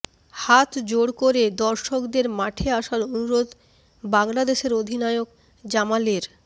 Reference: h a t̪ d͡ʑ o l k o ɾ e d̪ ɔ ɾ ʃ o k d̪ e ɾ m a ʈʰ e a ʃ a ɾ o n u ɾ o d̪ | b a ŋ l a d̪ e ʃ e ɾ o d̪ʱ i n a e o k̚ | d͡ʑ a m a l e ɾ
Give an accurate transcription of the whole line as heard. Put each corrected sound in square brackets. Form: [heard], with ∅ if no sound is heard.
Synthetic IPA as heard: h a t̪ d͡ʑ o [ɽ] k o ɾ e d̪ ɔ ɾ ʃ o k d̪ e ɾ m a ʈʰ e a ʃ a ɾ o n u ɾ o d̪ | b a ŋ l a d̪ e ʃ e ɾ o d̪ʱ i n a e o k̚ | d͡ʑ a m a l e ɾ